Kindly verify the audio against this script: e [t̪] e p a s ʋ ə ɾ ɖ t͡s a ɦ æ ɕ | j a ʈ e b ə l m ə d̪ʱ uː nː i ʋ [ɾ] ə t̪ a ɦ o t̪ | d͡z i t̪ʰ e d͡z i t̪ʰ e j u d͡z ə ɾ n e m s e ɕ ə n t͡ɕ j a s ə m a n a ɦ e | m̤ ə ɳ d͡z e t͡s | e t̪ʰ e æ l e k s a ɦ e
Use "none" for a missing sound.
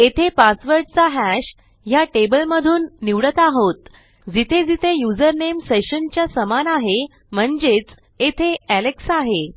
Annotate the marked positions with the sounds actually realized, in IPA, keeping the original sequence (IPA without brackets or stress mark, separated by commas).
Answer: t̪ʰ, ɽ